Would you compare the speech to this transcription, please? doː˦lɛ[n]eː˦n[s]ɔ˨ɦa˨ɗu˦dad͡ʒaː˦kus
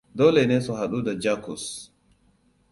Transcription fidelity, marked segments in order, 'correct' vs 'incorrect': correct, correct

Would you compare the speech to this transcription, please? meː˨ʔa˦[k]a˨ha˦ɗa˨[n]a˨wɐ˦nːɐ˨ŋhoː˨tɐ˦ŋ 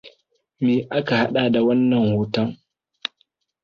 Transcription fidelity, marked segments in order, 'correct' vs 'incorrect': correct, incorrect: d

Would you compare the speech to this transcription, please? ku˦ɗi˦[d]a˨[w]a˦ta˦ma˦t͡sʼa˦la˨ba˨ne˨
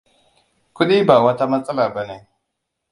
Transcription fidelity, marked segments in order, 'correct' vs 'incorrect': incorrect: b, correct

